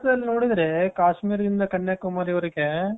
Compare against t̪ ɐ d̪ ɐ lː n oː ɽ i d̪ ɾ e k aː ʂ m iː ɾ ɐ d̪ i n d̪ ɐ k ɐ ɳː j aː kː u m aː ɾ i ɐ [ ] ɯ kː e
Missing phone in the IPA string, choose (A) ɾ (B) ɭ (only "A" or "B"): A